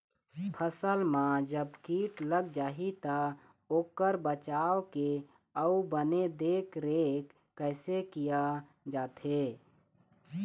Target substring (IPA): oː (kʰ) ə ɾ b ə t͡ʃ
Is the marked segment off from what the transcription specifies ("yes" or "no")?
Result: yes